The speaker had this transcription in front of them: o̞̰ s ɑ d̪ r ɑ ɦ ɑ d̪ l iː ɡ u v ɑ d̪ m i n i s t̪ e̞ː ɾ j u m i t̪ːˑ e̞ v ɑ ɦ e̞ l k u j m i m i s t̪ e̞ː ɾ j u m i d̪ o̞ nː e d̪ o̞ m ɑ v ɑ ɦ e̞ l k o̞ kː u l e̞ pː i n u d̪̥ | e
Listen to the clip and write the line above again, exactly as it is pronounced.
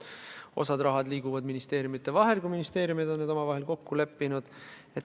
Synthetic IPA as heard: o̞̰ s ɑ d̪ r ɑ ɦ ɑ d̪ l iː ɡ u v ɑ d̪ m i n i s t̪ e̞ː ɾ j u m i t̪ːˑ e̞ v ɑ ɦ e̞ l k u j m i n i s t̪ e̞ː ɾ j u m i d̪ o̞ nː e d̪ o̞ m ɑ v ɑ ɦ e̞ l k o̞ kː u l e̞ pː i n u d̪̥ | e